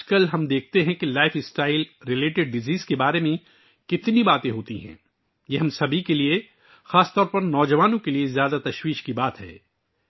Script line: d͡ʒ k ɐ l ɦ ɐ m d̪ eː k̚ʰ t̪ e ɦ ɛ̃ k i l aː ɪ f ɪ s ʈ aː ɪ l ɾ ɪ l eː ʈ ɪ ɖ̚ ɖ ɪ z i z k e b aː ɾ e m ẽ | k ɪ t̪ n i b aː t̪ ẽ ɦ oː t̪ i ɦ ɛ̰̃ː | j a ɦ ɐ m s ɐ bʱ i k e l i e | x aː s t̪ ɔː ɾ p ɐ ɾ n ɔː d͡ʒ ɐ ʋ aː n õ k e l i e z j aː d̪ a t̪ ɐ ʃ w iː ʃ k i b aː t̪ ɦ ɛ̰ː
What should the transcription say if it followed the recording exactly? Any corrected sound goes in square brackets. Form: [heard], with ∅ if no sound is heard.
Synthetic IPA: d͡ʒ k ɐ l ɦ ɐ m d̪ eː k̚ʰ t̪ e ɦ ɛ̃ k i l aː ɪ f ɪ s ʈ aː ɪ l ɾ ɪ l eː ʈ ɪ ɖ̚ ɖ ɪ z [iː] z k e b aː ɾ e m ẽ | k ɪ t̪ n i b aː t̪ ẽ ɦ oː t̪ i ɦ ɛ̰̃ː | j [e] ɦ ɐ m s ɐ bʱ i k e l i e | x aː s t̪ ɔː ɾ p ɐ ɾ n ɔː d͡ʒ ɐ ʋ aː n õ k e l i e z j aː d̪ a t̪ ɐ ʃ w iː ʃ k i b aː t̪ ɦ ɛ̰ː